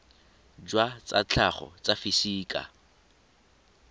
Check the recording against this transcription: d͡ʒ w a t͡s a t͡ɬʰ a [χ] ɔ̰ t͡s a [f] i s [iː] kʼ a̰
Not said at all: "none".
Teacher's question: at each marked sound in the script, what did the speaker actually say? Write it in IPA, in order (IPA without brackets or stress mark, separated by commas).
χ, f, iː